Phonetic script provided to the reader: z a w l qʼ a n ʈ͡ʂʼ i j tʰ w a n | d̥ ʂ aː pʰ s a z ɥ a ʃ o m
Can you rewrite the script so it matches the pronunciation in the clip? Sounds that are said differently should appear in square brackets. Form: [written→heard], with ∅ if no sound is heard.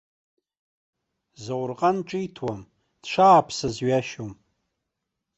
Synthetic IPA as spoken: z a w [l→r] qʼ a n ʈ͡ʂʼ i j tʰ w a [n→m] | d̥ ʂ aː pʰ s a z ɥ a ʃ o m